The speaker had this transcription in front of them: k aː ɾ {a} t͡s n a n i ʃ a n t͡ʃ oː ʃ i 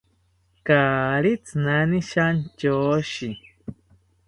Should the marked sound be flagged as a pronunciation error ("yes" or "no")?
yes